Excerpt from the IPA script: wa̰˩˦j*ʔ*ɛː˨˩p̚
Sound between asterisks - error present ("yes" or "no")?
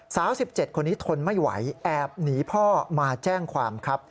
no